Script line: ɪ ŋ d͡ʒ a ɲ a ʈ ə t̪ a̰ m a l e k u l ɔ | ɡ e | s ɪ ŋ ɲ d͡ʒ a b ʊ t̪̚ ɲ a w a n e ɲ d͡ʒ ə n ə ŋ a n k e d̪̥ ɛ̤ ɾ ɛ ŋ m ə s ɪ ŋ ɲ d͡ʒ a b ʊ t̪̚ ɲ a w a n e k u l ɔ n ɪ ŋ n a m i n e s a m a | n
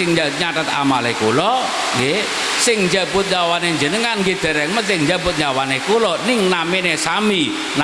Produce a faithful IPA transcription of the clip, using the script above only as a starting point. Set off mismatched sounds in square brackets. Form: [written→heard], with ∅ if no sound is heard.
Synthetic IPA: ɪ ŋ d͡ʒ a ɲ a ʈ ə t̪ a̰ m a l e k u l ɔ | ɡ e | s ɪ ŋ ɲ d͡ʒ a b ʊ t̪̚ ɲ a w a n e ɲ d͡ʒ ə n ə ŋ a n [k→ɡ] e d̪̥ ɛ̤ ɾ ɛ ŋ m ə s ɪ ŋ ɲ d͡ʒ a b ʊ t̪̚ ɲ a w a n e k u l ɔ n ɪ ŋ n a m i n e s a m [a→i] | n